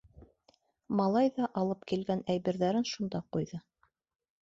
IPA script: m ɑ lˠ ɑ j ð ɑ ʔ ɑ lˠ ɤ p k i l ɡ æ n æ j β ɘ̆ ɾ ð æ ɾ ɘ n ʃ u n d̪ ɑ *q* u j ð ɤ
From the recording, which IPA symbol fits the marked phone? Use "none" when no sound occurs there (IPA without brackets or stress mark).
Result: q